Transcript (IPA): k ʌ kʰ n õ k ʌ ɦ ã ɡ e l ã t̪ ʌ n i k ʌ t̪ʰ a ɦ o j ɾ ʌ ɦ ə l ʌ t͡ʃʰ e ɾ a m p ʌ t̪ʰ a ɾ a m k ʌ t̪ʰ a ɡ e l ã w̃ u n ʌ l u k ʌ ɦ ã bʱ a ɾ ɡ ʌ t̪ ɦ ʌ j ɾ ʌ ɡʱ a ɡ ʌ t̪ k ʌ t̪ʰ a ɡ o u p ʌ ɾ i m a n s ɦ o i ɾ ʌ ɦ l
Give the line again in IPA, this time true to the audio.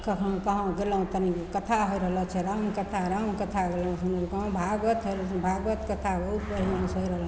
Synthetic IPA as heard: k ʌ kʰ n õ k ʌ ɦ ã ɡ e l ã t̪ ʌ n i k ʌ t̪ʰ a ɦ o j ɾ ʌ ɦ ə l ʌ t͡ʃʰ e ɾ a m k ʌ t̪ʰ a ɾ a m k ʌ t̪ʰ a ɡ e l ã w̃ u n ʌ ɾ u k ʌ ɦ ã bʱ a ɡ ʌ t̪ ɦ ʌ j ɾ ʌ bʱ a ɡ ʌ t̪ k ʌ t̪ʰ a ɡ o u p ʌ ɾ i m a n s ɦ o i ɾ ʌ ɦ l